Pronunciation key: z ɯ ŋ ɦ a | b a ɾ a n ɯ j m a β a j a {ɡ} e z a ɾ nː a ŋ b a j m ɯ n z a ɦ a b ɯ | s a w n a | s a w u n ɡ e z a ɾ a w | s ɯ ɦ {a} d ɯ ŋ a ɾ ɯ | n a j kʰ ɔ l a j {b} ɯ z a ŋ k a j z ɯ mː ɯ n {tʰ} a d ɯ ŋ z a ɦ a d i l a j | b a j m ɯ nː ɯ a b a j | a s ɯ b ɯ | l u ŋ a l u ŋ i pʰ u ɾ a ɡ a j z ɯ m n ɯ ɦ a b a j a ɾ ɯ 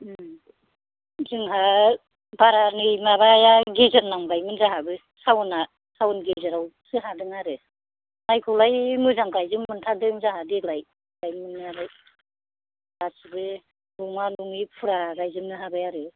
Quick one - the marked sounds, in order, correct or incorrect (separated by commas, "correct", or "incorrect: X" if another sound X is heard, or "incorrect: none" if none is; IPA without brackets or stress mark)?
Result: correct, correct, incorrect: m, correct